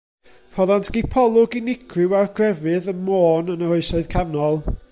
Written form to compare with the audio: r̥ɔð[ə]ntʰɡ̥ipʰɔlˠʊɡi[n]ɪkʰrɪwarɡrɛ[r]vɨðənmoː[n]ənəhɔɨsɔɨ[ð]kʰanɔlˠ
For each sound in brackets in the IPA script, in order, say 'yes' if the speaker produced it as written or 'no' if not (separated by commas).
no, yes, no, yes, yes